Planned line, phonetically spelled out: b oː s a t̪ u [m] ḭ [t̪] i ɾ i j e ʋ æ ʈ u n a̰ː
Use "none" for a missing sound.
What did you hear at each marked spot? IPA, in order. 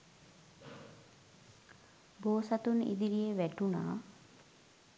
n, d̪

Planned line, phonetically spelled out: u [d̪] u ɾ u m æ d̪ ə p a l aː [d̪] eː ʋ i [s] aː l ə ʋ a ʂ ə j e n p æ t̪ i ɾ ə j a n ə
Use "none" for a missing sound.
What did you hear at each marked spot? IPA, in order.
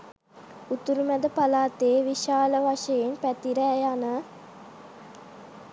t̪, t̪, ʃ

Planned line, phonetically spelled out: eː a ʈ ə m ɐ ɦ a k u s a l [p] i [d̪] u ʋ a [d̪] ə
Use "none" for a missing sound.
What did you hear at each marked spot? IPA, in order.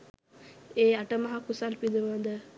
p, d̪, d̪

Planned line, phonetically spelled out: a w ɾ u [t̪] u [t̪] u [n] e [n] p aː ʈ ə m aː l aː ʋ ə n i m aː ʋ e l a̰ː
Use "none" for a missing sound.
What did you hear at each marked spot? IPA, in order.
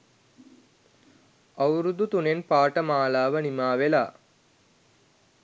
d̪, t̪, n, n

